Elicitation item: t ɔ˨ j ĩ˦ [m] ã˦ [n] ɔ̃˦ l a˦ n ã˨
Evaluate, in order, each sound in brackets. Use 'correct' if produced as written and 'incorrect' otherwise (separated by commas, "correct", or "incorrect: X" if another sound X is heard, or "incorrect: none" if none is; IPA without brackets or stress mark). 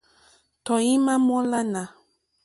correct, incorrect: m